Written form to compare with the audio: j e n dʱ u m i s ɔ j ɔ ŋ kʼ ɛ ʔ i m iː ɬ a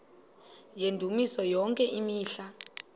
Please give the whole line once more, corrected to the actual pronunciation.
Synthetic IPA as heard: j e n dʱ u m i s ɔ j ɔ ŋ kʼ ɛ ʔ i m iː ɬ a